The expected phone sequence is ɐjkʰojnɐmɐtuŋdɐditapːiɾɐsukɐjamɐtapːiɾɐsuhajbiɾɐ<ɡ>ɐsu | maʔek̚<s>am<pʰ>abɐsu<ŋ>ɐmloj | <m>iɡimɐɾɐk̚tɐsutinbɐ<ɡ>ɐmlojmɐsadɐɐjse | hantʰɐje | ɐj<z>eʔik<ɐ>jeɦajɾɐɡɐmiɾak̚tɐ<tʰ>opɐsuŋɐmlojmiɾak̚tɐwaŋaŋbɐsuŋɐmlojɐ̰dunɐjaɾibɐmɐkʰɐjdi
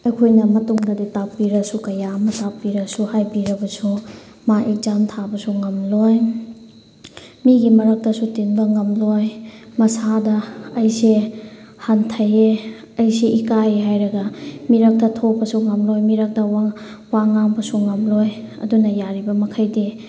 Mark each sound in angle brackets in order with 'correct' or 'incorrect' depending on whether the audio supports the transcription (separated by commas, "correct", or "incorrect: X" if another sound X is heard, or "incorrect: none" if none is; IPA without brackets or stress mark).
incorrect: b, incorrect: z, incorrect: tʰ, correct, correct, incorrect: ŋ, incorrect: s, incorrect: a, correct